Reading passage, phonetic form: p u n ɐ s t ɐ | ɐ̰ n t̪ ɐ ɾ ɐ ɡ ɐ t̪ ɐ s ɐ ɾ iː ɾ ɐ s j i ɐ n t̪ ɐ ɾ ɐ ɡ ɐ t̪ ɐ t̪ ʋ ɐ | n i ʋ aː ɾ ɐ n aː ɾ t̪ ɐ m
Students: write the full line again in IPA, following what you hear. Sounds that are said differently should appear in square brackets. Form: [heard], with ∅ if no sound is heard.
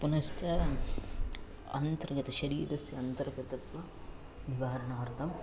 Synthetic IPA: p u n ɐ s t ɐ | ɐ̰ n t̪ ɐ ɾ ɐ ɡ ɐ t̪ ɐ [ʃ] ɐ ɾ iː ɾ ɐ s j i ɐ n t̪ ɐ ɾ ɐ ɡ ɐ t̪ ɐ t̪ ʋ ɐ | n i ʋ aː ɾ ɐ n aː ɾ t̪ ɐ m